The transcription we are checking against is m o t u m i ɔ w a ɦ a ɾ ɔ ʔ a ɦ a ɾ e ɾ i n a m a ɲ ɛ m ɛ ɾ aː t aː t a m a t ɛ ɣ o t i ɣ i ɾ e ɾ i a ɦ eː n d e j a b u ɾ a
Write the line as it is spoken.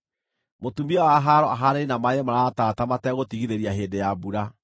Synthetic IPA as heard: m o t u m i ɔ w a ɦ a ɾ ɔ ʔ a ɦ a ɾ e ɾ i n a m a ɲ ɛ m a ɾ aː t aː t a m a t ɛ ɣ o t i ɣ i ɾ e ɾ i a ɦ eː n d e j a b u ɾ a